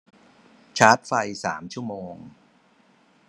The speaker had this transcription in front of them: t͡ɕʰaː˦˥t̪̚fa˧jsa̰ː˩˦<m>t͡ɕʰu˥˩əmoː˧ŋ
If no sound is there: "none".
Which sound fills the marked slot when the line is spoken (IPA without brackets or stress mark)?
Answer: m